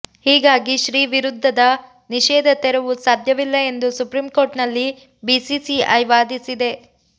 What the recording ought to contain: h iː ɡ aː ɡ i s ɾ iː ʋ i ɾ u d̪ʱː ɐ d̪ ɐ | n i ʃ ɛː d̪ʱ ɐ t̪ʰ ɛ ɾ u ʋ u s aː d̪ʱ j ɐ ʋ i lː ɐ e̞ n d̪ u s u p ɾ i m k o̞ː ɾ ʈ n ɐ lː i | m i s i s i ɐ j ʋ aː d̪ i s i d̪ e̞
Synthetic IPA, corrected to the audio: h iː ɡ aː ɡ i ʃ ɾ iː ʋ i ɾ u d̪ʱː ɐ d̪ ɐ | n i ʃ ɛː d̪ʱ ɐ t̪ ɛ ɾ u ʋ u s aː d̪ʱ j ɐ ʋ i lː ɐ e̞ n d̪ u s u p ɾ i m k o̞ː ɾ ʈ n ɐ lː i | b i s i s i ɐ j ʋ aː d̪ i s i d̪ e̞